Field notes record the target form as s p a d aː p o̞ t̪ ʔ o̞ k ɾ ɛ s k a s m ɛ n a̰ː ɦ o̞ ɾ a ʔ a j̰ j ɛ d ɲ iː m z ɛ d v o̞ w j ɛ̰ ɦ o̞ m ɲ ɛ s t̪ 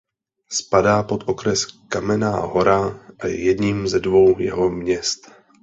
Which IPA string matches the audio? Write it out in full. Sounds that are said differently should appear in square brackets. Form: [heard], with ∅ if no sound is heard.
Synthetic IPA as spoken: s p a d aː p o̞ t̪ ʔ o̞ k ɾ ɛ s k a [∅] m ɛ n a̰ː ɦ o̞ ɾ a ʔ a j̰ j ɛ d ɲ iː m z ɛ d v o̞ w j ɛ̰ ɦ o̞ m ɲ ɛ s t̪